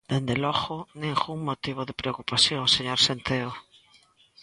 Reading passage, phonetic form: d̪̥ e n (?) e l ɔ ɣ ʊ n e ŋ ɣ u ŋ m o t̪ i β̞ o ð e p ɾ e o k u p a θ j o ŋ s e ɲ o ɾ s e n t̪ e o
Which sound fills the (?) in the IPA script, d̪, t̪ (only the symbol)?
d̪